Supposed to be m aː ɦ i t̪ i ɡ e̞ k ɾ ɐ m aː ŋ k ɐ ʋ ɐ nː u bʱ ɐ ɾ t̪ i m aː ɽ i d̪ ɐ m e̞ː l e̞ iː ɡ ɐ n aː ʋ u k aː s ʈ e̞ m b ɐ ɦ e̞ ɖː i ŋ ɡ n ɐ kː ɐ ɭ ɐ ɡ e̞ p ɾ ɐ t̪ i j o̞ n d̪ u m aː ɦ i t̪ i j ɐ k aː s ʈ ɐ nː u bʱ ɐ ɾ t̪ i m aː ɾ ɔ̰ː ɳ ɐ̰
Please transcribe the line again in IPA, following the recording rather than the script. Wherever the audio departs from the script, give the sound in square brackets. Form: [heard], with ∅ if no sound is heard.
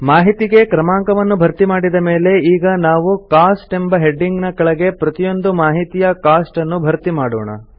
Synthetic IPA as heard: m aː ɦ i t̪ i ɡ e̞ k ɾ ɐ m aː ŋ k ɐ ʋ ɐ nː u bʱ ɐ ɾ t̪ i m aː ɽ i d̪ ɐ m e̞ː l e̞ iː ɡ ɐ n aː ʋ u k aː s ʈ e̞ m b ɐ ɦ e̞ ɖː i ŋ ɡ n ɐ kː ɐ ɭ ɐ ɡ e̞ p ɾ ɐ t̪ i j o̞ n d̪ u m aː ɦ i t̪ i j ɐ k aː s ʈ ɐ nː u bʱ ɐ ɾ t̪ i m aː [ɽ] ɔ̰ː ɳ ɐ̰

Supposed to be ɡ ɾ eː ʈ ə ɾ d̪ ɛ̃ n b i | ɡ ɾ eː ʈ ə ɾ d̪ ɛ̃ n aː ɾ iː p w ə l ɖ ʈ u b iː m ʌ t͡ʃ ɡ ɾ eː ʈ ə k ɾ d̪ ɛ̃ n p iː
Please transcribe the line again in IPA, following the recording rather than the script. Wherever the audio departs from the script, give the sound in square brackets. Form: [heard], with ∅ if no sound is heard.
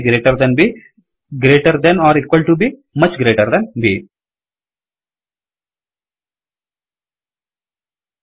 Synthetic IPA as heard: ɡ ɾ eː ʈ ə ɾ d̪ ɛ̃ n b i | ɡ ɾ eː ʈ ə ɾ d̪ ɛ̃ n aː ɾ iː [k] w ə l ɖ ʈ u b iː m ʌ t͡ʃ ɡ ɾ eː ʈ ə [∅] ɾ d̪ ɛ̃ n [b] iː

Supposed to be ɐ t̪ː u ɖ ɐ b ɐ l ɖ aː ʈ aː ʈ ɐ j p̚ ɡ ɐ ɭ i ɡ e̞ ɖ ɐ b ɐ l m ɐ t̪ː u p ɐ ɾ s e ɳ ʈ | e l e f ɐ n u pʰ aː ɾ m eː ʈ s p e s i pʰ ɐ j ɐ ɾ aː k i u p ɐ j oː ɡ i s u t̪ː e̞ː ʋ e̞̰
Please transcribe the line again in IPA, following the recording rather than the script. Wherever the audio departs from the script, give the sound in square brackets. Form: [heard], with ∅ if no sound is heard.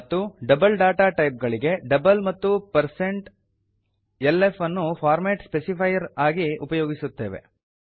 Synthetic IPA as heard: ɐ t̪ː u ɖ ɐ b ɐ l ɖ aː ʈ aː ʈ ɐ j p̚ ɡ ɐ ɭ i ɡ e̞ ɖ ɐ b ɐ l m ɐ t̪ː u p ɐ ɾ s e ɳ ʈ | e l e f ɐ [nː] u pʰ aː ɾ m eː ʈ s p e s i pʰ ɐ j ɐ ɾ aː [ɡ] i u p ɐ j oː ɡ i s u t̪ː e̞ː ʋ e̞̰

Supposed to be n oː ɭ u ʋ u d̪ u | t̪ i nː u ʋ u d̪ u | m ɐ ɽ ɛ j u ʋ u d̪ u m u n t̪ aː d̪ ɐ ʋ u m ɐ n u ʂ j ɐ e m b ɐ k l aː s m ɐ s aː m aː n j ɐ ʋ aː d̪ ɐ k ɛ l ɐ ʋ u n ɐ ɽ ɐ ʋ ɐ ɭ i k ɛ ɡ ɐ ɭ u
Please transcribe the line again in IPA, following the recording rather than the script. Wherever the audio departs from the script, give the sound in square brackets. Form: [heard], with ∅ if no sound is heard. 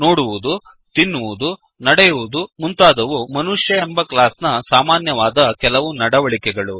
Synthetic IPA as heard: n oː [ɽ] u ʋ u d̪ u | t̪ i nː u ʋ u d̪ u | [n] ɐ ɽ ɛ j u ʋ u d̪ u m u n t̪ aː d̪ ɐ ʋ u m ɐ n u ʂ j ɐ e m b ɐ k l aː s [n] ɐ s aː m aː n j ɐ ʋ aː d̪ ɐ k ɛ l ɐ ʋ u n ɐ ɽ ɐ ʋ ɐ ɭ i k ɛ ɡ ɐ ɭ u

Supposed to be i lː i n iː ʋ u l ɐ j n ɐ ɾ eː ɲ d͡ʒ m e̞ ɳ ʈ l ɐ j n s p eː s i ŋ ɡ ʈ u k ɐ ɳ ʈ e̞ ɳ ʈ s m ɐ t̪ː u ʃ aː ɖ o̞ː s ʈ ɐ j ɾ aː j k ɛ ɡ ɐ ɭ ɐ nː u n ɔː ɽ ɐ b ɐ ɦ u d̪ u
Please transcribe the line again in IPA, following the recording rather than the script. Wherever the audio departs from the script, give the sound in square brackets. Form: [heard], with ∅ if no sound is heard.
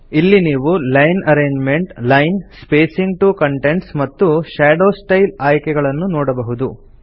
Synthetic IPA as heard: i lː i n iː ʋ u l ɐ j n ɐ ɾ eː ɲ d͡ʒ m e̞ ɳ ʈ l ɐ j n s p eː s i ŋ ɡ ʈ u k ɐ ɳ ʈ e̞ ɳ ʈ s m ɐ t̪ː u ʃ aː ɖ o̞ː s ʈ ɐ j [l] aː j k ɛ ɡ ɐ ɭ ɐ nː u n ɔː ɽ ɐ b ɐ ɦ u d̪ u

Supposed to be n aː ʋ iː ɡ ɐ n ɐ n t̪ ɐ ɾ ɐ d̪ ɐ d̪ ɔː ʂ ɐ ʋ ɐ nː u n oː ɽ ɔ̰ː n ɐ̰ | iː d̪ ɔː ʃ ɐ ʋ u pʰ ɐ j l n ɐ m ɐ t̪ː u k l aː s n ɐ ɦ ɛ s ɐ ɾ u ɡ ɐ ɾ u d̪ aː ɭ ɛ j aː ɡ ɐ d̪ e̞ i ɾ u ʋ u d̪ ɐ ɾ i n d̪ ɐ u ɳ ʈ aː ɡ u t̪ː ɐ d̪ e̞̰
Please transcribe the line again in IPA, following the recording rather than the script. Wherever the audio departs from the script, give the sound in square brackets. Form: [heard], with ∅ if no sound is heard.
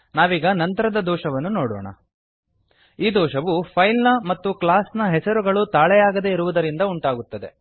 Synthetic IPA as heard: n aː ʋ iː ɡ ɐ n ɐ n t̪ ɐ ɾ ɐ d̪ ɐ d̪ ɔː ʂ ɐ ʋ ɐ nː u n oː ɽ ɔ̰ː [ɳ] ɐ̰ | iː d̪ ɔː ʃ ɐ ʋ u pʰ ɐ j l n ɐ m ɐ t̪ː u k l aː s n ɐ ɦ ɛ s ɐ ɾ u ɡ ɐ [ɭ] u [t̪] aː ɭ ɛ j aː ɡ ɐ d̪ e̞ i ɾ u ʋ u d̪ ɐ ɾ i n d̪ ɐ u ɳ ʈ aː ɡ u t̪ː ɐ d̪ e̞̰

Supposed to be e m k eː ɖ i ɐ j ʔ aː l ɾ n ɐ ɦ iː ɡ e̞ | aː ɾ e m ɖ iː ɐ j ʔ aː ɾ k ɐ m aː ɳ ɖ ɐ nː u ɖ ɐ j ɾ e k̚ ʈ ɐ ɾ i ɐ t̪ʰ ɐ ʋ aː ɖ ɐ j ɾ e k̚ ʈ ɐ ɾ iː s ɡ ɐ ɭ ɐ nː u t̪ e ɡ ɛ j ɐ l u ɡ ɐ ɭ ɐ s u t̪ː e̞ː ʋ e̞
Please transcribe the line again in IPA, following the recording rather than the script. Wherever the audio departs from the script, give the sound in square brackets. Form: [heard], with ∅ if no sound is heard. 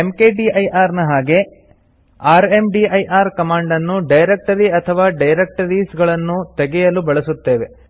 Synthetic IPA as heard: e m k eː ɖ i ɐ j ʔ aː [∅] ɾ n ɐ ɦ [aː] ɡ e̞ | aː ɾ e m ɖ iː ɐ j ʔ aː ɾ k ɐ m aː ɳ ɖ ɐ nː u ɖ ɐ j ɾ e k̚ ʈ ɐ ɾ i ɐ t̪ʰ ɐ ʋ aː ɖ ɐ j ɾ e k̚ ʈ ɐ ɾ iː s ɡ ɐ ɭ ɐ nː u t̪ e ɡ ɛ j ɐ l u [b] ɐ ɭ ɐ s u t̪ː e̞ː ʋ e̞

